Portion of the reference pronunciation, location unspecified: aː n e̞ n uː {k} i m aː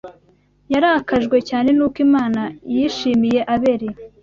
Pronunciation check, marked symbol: correct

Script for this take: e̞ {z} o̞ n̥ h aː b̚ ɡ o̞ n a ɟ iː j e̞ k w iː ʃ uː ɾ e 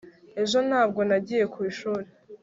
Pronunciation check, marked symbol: incorrect: ʒ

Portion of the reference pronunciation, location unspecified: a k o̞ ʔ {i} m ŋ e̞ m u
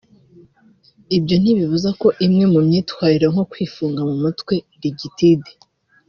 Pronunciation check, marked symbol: correct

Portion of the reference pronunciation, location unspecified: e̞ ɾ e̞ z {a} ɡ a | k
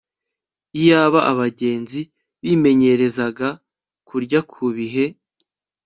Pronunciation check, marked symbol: correct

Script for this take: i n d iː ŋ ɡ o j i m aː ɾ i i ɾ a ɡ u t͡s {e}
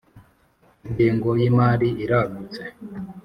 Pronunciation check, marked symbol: correct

